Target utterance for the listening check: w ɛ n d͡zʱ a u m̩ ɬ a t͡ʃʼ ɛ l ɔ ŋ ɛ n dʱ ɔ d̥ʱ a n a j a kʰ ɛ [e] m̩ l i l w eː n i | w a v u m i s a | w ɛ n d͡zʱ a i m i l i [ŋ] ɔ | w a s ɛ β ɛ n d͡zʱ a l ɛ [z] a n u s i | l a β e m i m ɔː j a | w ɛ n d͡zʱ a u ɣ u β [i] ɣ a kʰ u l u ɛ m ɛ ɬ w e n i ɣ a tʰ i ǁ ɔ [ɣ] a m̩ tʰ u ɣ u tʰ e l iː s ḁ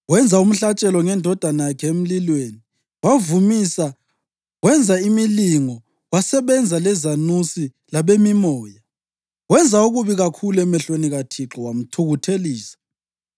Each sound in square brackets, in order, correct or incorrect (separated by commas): correct, correct, correct, correct, incorrect